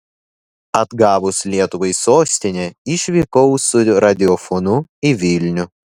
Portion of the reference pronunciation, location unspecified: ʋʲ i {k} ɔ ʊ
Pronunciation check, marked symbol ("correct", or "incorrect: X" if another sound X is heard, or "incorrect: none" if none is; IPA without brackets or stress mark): correct